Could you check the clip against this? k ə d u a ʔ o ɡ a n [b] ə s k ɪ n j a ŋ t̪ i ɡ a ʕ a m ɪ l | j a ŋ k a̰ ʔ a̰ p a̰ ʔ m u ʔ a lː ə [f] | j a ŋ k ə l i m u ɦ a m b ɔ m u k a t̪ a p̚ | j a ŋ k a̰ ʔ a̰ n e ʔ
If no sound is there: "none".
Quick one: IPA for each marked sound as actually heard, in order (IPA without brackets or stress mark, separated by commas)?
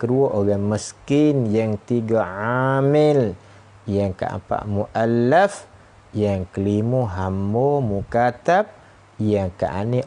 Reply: m, f